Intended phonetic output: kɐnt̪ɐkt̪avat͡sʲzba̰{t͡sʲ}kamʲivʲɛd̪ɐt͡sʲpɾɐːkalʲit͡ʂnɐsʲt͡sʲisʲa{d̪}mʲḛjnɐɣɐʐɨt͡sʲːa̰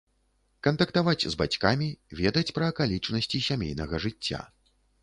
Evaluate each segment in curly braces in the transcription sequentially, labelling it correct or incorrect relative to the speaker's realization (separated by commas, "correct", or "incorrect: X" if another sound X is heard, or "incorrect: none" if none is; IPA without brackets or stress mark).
correct, incorrect: none